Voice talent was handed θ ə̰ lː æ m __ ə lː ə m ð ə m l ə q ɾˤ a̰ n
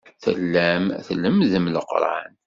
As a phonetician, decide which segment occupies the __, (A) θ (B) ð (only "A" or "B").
A